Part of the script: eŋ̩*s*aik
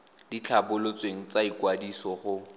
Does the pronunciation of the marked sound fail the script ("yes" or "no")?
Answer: yes